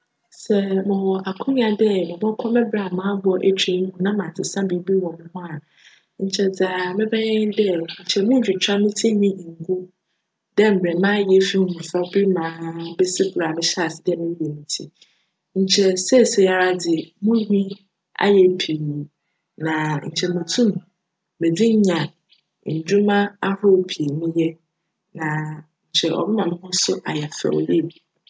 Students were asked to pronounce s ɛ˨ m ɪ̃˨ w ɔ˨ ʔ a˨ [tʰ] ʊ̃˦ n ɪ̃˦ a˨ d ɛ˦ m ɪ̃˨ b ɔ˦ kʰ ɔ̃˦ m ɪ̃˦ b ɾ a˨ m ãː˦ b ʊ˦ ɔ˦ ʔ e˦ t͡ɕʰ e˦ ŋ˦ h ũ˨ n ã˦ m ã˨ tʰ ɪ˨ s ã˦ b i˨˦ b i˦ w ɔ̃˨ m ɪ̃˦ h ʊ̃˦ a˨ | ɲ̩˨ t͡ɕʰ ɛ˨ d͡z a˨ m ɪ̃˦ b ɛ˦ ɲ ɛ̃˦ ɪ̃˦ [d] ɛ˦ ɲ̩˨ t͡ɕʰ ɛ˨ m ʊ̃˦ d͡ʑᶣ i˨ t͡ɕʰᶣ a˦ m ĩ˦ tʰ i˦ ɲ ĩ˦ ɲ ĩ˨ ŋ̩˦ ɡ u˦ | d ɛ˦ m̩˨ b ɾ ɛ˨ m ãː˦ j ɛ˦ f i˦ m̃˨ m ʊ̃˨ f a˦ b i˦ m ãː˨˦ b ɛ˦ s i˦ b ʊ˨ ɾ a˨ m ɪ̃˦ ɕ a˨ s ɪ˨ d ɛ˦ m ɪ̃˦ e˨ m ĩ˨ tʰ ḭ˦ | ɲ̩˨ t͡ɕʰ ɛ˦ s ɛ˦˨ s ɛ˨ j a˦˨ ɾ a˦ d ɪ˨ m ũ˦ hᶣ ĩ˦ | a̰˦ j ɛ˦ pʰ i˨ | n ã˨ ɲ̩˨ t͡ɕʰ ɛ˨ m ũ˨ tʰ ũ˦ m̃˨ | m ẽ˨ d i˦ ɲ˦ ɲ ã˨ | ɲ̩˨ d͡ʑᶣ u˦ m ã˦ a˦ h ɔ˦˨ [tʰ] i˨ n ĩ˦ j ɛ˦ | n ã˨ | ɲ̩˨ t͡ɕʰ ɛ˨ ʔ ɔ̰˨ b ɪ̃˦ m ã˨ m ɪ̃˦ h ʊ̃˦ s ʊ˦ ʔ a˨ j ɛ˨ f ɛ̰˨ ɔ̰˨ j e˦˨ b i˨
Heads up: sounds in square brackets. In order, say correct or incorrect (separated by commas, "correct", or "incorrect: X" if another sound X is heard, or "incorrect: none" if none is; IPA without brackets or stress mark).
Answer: incorrect: kʰ, correct, incorrect: pʰ